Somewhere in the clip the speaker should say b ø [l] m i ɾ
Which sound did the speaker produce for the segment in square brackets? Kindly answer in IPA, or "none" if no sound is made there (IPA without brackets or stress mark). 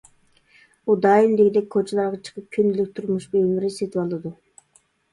l